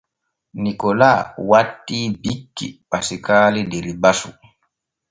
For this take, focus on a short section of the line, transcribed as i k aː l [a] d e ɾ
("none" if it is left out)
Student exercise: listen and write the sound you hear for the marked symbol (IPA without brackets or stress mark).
i